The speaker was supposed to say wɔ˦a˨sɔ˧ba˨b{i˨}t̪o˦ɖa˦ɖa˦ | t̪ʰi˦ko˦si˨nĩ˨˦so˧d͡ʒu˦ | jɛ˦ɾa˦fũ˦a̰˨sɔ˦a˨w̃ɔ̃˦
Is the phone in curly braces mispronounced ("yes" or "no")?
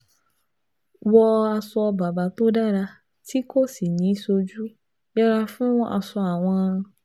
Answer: yes